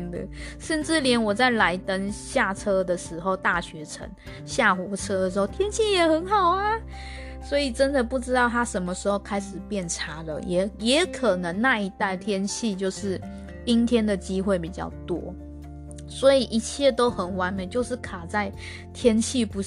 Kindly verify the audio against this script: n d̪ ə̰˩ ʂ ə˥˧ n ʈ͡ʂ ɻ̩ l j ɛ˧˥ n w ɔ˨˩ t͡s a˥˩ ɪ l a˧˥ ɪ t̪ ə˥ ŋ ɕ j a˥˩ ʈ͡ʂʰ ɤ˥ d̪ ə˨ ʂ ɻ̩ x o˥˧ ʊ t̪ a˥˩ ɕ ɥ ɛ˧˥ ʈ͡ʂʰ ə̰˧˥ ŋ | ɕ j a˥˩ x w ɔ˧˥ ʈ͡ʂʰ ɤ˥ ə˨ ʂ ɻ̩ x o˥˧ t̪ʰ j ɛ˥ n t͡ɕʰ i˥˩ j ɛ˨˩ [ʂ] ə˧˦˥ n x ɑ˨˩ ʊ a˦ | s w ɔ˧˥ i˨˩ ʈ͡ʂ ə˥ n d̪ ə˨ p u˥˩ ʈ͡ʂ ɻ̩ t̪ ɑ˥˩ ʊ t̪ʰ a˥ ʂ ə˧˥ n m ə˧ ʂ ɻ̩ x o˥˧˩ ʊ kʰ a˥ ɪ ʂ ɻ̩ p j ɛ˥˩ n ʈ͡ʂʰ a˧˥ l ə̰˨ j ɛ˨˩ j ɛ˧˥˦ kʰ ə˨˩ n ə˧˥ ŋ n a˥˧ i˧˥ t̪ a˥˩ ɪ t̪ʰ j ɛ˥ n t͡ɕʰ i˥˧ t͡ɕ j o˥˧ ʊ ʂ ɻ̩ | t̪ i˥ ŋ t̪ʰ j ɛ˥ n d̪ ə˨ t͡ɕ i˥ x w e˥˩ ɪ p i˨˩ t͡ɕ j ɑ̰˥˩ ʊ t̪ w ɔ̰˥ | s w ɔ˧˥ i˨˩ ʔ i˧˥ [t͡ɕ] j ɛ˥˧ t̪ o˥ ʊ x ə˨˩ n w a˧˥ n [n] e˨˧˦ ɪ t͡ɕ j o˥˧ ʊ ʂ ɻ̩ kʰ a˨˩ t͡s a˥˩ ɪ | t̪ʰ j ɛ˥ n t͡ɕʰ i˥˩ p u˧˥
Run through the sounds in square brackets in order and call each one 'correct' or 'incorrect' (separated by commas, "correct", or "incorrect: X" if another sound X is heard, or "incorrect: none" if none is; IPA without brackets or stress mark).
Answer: incorrect: x, incorrect: t͡ɕʰ, incorrect: m